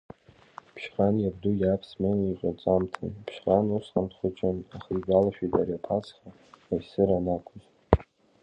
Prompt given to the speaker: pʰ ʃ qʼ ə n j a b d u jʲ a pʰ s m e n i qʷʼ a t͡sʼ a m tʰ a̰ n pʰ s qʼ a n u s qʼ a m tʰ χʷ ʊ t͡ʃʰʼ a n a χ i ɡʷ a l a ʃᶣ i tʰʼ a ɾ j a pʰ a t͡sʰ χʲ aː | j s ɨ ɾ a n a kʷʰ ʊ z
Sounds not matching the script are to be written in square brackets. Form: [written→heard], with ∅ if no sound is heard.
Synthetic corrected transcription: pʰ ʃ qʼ [ə→a] n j a b d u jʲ a pʰ s m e n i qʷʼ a t͡sʼ a m tʰ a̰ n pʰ [s→ʃ] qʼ a n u s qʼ a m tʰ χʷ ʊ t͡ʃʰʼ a n a χ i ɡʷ a l a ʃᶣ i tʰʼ a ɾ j a pʰ a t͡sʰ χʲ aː | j s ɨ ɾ a n a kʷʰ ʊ z